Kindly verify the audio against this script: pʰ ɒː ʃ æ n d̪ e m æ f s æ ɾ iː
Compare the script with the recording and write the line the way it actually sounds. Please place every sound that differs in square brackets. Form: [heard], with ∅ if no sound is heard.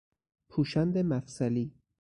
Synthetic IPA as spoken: pʰ [uː] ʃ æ n d̪ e m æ f s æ [l] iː